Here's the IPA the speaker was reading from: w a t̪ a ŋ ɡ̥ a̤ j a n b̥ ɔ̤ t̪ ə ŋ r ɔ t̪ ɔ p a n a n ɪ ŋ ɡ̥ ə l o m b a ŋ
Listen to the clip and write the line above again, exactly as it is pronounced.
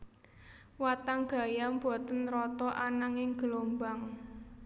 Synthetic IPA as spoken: w a t̪ a ŋ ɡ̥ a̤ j a m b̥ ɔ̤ t̪ ə n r ɔ t̪ ɔ ʔ a n a ŋ ɪ ŋ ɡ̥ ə l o m b a ŋ